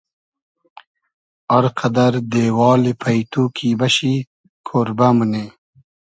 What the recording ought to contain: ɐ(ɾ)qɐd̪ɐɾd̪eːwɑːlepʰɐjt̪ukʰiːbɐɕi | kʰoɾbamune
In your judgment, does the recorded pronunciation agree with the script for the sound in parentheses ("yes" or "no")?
yes